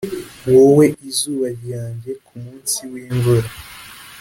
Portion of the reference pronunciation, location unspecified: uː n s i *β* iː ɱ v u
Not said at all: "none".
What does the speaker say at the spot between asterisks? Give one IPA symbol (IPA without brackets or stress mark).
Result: w